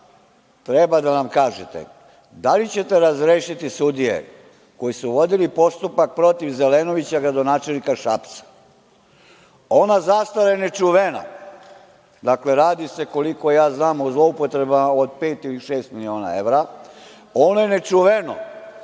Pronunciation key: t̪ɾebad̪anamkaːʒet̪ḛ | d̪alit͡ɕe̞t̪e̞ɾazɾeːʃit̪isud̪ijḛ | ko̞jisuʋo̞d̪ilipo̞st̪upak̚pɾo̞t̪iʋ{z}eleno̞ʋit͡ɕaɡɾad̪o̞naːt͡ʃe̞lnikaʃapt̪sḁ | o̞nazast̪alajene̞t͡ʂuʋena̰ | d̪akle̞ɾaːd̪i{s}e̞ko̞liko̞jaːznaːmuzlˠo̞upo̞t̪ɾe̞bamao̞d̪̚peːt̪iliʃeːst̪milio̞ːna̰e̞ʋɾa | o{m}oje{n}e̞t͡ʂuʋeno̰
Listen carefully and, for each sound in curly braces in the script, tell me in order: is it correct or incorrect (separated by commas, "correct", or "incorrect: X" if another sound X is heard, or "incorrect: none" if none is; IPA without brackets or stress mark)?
correct, correct, incorrect: n, correct